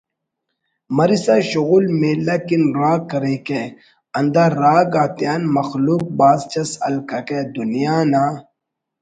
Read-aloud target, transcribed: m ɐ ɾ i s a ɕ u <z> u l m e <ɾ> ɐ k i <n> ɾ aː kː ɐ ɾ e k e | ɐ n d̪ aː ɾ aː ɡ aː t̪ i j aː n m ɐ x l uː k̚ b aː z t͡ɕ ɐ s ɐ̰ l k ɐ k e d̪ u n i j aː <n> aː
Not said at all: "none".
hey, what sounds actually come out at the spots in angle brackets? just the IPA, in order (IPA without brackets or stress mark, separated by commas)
ɣ, l, n, n